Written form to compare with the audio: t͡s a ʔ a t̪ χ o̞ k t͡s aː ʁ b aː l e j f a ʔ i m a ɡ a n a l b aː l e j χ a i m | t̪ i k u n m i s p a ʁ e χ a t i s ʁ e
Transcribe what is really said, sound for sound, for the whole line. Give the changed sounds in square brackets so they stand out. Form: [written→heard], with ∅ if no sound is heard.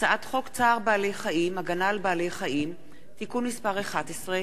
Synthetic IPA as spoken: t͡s a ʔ a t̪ χ o̞ k t͡s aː ʁ b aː l e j [f→χ] a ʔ i m a ɡ a n a l b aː l e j χ a i m | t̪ i k u n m i s p a ʁ e χ a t [i→e] s ʁ e